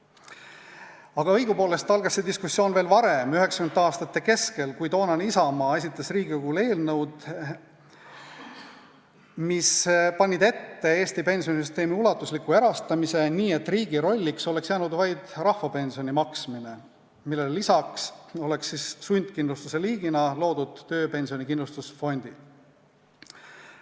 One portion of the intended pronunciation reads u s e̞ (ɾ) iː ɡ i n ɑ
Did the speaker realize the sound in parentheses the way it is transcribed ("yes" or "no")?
no